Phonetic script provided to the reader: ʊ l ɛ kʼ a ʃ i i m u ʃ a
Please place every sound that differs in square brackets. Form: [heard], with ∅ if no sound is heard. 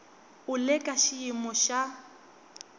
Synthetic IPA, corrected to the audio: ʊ l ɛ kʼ a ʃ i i m [ɔ] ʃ a